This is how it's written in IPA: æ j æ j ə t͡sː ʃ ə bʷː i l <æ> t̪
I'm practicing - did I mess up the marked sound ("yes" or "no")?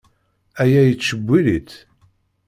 yes